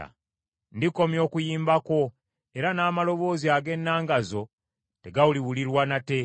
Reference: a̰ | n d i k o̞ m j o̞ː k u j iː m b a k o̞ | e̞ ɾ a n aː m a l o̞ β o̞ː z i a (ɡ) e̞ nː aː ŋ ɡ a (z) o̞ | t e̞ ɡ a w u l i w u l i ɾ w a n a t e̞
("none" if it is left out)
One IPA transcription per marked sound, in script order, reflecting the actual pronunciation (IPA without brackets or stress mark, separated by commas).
ɡ, z